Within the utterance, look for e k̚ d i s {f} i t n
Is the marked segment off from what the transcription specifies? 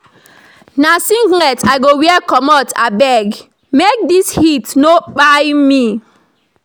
yes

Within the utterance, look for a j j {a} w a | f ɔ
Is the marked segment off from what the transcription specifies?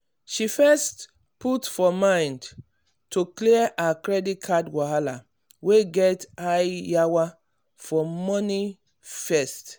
no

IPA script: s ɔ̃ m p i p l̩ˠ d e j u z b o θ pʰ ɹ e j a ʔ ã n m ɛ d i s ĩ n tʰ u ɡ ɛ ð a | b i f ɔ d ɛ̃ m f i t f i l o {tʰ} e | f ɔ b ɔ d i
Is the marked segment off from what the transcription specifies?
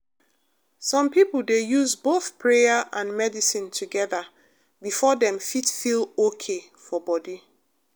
yes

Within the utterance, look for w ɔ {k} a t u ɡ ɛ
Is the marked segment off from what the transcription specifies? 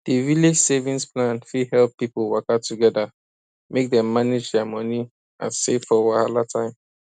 no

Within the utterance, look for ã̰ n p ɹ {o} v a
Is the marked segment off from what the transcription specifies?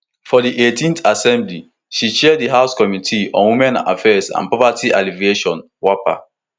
yes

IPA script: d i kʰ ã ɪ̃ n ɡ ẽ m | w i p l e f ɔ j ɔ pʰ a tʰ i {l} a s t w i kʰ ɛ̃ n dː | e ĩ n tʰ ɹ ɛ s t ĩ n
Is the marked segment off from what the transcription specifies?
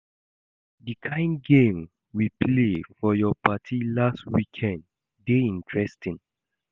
no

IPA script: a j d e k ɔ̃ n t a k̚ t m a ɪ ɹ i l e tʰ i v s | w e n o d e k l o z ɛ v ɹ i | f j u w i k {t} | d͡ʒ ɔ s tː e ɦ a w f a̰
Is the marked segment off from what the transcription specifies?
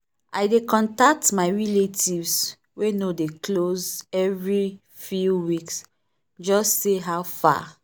yes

